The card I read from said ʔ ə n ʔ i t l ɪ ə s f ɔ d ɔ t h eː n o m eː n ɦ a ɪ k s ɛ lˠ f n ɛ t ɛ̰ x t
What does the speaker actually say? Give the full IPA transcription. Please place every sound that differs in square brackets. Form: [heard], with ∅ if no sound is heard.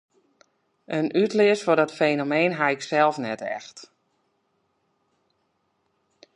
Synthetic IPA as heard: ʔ ə n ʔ [y] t l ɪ ə s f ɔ d ɔ t [f] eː n o m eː n ɦ a ɪ k s ɛ lˠ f n ɛ t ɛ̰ x t